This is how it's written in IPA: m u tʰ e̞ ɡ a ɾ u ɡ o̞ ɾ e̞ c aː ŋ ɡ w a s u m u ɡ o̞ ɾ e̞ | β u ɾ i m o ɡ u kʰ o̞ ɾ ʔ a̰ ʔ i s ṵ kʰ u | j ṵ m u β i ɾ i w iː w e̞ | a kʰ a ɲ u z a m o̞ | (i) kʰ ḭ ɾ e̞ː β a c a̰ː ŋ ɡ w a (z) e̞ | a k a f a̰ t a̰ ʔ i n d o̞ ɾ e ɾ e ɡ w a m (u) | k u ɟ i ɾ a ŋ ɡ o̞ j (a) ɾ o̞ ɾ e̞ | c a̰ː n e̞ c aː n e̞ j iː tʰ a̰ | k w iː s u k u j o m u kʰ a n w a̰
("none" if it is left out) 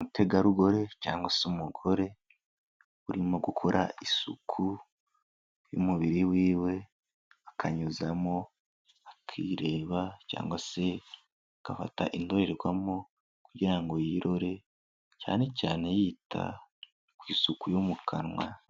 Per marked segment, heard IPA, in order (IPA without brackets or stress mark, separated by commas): a, s, o, i